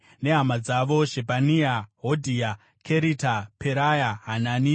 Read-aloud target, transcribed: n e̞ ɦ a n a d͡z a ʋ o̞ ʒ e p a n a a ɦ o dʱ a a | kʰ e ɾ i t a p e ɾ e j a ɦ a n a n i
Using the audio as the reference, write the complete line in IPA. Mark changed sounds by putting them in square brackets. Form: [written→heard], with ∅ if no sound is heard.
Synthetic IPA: n e̞ ɦ a [n→m] a d͡z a ʋ o̞ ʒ e p a n [a→i] a ɦ o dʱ [a→i] a | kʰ e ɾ i t a p e ɾ [e→a] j a ɦ a n a n i